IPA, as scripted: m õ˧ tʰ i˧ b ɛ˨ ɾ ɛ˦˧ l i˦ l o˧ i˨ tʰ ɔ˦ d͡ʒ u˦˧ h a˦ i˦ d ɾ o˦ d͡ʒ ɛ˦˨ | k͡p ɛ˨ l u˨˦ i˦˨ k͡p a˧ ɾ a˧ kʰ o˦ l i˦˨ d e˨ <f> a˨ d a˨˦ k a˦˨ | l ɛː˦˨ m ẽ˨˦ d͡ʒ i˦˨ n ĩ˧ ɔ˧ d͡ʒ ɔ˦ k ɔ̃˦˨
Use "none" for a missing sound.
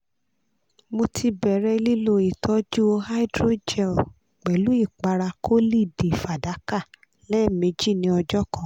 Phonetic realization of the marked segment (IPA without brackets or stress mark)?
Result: f